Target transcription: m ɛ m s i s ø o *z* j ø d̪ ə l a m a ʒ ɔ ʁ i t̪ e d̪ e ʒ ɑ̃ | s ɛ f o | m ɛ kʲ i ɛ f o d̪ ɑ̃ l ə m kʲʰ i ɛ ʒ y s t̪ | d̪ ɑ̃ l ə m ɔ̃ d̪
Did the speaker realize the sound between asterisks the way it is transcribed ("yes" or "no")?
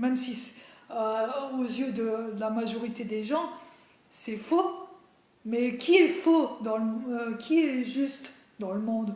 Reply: yes